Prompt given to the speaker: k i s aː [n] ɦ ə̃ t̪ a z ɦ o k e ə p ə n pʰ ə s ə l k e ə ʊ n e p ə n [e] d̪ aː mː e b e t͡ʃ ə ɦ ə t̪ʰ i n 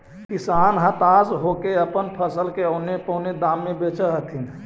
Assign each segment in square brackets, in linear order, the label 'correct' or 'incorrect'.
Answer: correct, correct

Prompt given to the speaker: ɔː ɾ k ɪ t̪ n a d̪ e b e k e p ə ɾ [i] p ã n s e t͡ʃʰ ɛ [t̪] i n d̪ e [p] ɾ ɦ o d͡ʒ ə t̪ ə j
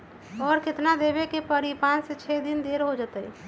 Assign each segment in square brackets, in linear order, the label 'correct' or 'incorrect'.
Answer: correct, incorrect: d̪, incorrect: none

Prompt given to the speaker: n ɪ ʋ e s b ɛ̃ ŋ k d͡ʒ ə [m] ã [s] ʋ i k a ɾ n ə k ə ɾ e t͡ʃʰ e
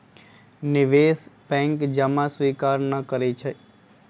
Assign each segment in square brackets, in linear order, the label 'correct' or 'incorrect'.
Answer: correct, correct

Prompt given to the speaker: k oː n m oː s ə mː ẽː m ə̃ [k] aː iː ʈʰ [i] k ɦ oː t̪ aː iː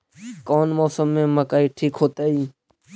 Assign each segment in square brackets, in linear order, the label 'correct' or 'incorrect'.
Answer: correct, incorrect: iː

